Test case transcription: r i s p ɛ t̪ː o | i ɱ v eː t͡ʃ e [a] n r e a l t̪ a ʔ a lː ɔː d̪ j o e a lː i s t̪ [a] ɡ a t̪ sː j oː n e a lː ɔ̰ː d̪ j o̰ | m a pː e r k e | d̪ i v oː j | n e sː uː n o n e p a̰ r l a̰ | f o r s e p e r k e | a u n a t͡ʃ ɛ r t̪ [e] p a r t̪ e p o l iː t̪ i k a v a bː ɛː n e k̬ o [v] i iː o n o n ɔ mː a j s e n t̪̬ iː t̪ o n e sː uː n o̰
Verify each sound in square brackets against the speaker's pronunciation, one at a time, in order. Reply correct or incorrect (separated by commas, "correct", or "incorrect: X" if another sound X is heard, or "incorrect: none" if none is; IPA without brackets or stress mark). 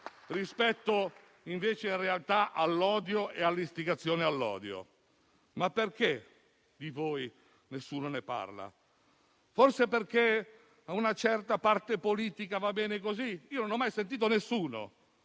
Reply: incorrect: i, incorrect: i, incorrect: a, incorrect: z